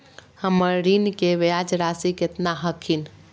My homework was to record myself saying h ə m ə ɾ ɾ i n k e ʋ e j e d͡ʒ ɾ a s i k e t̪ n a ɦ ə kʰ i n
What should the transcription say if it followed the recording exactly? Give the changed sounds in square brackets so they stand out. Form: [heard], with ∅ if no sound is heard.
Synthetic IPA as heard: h ə m ə ɾ ɾ i n k e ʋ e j [a] d͡ʒ ɾ a s i k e t̪ n a ɦ ə kʰ i n